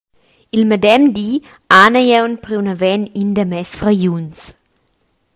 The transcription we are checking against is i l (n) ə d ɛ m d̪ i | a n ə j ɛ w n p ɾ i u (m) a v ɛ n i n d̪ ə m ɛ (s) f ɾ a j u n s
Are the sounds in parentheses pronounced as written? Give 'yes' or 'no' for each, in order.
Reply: no, no, yes

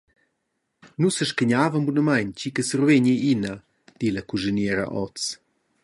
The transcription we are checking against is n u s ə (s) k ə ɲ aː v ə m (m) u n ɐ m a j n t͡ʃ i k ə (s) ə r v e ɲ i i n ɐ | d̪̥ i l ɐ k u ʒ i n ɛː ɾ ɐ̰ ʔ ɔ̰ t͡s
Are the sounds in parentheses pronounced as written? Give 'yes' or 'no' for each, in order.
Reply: no, no, yes

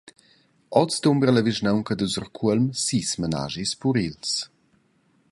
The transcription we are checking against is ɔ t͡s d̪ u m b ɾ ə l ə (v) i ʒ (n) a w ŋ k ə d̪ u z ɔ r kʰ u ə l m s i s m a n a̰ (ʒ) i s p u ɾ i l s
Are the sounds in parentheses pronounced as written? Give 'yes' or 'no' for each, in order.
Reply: yes, yes, yes

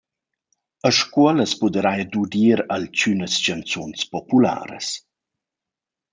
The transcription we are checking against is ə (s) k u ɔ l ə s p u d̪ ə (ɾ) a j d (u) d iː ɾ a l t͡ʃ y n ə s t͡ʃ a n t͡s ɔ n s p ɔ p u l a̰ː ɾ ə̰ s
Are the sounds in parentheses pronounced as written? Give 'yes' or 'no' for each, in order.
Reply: no, yes, yes

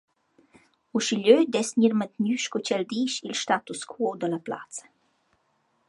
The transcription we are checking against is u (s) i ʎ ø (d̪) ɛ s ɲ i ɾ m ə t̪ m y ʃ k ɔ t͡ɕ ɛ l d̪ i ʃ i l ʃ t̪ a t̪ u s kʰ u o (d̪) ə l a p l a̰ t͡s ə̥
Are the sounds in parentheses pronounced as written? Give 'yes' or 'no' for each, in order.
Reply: no, yes, yes

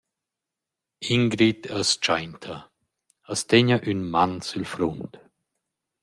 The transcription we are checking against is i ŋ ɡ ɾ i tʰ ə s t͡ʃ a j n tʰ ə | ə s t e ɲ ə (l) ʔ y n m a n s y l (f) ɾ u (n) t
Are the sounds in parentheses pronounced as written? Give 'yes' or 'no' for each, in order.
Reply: no, yes, yes

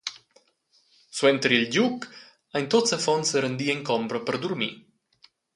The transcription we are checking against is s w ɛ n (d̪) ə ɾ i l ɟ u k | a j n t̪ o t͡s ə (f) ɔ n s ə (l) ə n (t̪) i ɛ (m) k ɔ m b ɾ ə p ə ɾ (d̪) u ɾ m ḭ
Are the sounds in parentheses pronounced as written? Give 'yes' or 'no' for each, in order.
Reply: no, yes, no, no, no, yes

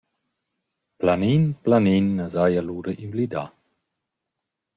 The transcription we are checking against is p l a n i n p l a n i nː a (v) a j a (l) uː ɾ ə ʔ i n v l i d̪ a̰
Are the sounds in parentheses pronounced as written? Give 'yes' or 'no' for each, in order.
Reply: no, yes

